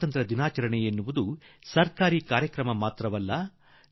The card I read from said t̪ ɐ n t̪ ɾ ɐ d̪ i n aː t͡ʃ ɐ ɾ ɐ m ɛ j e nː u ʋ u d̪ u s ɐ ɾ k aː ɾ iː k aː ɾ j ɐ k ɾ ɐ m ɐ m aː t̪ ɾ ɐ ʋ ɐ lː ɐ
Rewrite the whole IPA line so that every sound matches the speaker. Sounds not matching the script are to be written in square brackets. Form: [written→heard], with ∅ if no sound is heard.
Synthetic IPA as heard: t̪ ɐ n t̪ ɾ ɐ d̪ i n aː t͡ʃ ɐ ɾ ɐ [m→ɳ] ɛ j e nː u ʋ u d̪ u s ɐ ɾ k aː ɾ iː k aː ɾ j ɐ k ɾ ɐ m ɐ m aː t̪ ɾ ɐ ʋ ɐ lː ɐ